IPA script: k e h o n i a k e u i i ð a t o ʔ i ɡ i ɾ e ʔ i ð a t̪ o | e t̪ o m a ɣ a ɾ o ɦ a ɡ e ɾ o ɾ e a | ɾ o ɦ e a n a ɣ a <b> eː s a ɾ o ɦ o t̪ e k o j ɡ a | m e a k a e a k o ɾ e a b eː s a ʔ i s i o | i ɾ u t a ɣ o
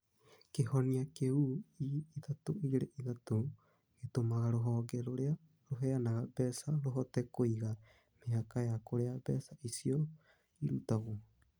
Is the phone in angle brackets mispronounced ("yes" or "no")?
no